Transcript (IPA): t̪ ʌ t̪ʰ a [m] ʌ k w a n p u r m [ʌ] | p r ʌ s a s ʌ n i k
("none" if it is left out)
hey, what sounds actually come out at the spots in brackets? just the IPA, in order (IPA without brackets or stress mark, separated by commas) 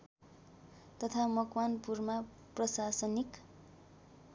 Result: m, a